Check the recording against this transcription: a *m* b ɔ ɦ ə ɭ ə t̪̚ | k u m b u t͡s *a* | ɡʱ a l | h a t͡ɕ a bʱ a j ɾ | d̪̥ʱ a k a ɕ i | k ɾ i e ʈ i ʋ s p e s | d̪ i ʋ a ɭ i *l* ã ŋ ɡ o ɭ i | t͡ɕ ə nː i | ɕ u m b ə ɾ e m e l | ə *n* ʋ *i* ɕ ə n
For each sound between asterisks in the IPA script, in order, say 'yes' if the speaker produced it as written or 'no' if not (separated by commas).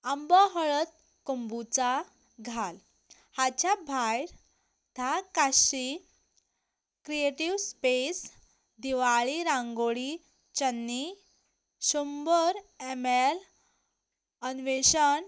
yes, yes, no, yes, no